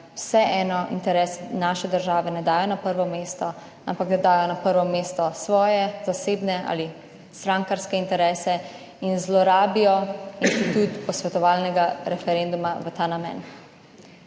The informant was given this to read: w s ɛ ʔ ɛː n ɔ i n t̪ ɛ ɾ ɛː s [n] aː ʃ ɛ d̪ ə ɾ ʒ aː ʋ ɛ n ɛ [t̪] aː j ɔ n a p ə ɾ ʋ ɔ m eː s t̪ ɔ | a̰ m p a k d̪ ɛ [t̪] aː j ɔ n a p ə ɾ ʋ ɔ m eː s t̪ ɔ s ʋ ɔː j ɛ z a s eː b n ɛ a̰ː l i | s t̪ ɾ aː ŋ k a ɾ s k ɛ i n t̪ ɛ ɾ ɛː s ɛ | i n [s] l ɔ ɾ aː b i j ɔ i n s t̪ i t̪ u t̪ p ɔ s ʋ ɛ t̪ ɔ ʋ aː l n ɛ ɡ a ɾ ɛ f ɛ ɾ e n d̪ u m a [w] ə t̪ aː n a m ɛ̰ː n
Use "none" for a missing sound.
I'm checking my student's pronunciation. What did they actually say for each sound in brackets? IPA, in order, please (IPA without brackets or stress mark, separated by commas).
n, d̪, d̪, z, ʋ